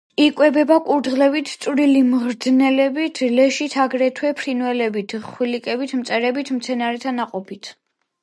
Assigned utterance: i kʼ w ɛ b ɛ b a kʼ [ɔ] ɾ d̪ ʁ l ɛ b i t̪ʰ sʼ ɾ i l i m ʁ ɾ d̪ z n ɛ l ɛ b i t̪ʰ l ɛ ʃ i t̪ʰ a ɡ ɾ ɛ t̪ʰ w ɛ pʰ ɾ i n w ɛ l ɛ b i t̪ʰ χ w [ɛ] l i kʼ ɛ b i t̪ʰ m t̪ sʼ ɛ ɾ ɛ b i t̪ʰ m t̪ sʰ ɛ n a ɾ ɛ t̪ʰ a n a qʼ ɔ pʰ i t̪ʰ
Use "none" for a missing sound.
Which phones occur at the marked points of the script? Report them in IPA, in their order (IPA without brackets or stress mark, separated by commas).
u, i